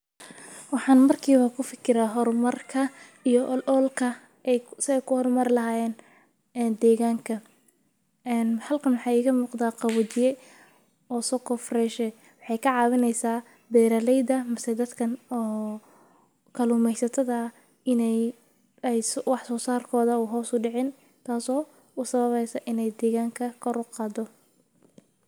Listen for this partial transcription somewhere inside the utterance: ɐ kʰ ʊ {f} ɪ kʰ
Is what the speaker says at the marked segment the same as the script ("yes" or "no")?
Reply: yes